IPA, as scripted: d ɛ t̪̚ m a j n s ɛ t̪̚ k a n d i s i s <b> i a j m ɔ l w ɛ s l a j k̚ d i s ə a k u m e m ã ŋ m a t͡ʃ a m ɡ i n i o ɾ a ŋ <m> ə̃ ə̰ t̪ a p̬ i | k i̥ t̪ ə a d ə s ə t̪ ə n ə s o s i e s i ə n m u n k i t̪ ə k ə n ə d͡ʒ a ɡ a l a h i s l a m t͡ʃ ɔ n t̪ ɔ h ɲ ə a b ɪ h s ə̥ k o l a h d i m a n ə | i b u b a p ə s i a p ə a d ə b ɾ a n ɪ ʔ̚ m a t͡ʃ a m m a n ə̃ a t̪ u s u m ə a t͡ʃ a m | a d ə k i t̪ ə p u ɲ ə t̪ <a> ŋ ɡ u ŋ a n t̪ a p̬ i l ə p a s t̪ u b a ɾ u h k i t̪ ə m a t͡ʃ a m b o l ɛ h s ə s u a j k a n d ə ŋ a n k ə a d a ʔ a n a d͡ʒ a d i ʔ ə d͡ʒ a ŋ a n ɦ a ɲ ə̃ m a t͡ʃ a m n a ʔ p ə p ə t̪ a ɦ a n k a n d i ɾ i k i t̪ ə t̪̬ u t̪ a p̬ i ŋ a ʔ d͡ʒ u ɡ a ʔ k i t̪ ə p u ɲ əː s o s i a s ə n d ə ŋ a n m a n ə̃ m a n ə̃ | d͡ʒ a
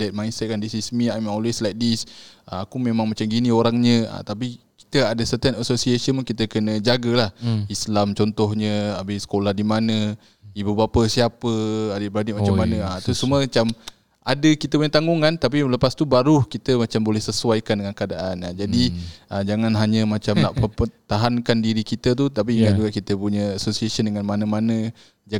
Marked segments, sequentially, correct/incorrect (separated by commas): incorrect, incorrect, correct